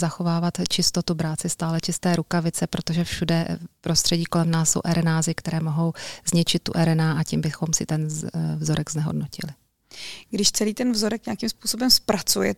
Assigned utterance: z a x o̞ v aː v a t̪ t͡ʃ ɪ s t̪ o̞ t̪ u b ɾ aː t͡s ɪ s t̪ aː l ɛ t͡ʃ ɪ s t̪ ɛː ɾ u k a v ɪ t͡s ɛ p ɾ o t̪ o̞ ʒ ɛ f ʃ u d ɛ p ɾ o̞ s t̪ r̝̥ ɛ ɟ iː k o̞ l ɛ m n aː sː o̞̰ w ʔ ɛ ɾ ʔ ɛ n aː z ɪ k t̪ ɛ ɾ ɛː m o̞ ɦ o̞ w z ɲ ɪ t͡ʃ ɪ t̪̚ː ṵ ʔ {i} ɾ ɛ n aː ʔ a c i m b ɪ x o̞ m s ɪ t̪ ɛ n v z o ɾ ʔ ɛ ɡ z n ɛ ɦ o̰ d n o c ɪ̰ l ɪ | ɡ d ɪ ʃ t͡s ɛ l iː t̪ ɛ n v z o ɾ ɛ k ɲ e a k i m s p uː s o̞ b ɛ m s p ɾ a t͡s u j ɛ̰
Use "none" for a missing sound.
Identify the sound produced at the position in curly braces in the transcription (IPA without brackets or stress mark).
ɛ